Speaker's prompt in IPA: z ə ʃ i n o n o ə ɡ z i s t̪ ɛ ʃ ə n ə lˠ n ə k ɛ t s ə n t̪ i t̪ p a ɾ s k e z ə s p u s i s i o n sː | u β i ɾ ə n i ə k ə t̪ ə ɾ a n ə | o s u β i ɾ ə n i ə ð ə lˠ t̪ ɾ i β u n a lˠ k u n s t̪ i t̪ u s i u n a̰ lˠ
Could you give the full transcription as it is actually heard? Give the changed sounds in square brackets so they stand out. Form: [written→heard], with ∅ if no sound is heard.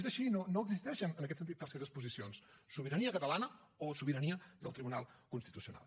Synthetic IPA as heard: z ə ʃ i n o n o ə ɡ z i s t̪ ɛ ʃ ə n ə [lˠ→∅] n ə k ɛ t s ə n t̪ i t̪ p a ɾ s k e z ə s p u [s→z] i s i o n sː | u β i ɾ ə n i ə k ə t̪ ə [ɾ→l] a n ə | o s u β i ɾ ə n i ə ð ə lˠ t̪ ɾ i β u n a lˠ k u n s t̪ i t̪ u s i u n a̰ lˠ

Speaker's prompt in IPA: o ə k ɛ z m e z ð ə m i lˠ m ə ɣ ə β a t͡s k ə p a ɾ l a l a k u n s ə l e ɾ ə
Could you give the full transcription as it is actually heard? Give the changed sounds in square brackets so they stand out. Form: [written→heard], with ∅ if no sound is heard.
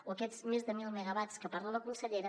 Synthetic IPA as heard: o ə k ɛ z m e z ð ə m i lˠ m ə ɣ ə β a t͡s k ə p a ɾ l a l [a→ə] k u n s ə [l→ʎ] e ɾ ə

